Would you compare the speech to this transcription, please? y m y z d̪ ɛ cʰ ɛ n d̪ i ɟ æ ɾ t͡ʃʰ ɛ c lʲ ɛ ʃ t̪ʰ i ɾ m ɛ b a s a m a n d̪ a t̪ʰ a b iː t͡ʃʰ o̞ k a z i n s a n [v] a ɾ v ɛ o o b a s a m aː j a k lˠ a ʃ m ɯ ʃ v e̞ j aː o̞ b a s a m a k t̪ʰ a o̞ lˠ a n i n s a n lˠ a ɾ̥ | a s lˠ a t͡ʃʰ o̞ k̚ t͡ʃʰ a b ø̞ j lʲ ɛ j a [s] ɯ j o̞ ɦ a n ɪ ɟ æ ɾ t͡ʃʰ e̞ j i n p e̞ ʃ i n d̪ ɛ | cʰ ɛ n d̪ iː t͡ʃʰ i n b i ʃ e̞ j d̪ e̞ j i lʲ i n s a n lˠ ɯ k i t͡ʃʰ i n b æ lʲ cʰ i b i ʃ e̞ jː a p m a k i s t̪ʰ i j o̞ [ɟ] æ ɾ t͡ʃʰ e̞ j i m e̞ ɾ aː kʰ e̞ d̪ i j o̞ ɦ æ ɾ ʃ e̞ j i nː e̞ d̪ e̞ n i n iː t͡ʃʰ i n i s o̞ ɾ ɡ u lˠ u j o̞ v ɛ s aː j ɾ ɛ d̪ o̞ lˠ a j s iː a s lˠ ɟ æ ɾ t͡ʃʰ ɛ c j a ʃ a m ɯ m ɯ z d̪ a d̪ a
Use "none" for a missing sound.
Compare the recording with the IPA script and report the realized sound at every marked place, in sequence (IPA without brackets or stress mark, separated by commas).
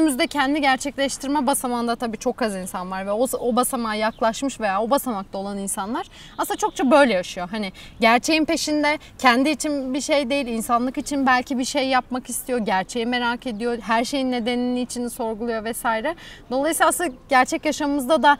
v, ʃ, ɟ